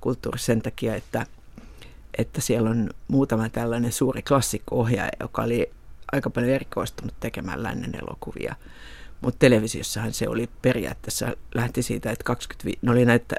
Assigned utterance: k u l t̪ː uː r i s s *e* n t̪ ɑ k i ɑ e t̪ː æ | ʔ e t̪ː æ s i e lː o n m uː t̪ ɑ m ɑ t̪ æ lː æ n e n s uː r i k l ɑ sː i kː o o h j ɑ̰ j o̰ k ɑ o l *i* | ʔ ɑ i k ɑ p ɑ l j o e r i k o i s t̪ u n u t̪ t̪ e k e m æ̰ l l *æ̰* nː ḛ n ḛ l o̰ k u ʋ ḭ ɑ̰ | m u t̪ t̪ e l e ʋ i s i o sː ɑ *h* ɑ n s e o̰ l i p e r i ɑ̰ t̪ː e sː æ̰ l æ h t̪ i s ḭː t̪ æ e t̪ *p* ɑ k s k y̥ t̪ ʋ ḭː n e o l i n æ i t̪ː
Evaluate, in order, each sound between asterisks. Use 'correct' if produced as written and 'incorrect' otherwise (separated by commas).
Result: correct, correct, correct, correct, incorrect